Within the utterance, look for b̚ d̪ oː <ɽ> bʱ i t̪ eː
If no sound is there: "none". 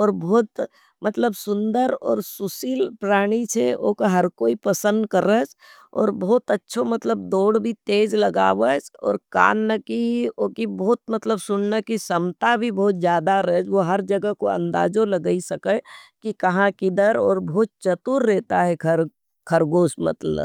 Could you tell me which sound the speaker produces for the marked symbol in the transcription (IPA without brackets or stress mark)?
ɽ